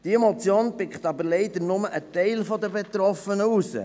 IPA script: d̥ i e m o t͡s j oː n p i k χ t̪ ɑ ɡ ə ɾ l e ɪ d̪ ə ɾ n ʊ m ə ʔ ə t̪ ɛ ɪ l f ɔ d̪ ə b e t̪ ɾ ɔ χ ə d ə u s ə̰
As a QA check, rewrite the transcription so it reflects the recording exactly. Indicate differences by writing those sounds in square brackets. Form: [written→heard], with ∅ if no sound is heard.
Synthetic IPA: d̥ i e m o t͡s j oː n p [i→ɪ] k χ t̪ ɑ [ɡ→b] ə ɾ l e ɪ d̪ ə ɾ n ʊ m ə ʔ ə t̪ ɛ ɪ l f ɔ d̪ ə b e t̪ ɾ ɔ [χ→f] ə [d→n] ə u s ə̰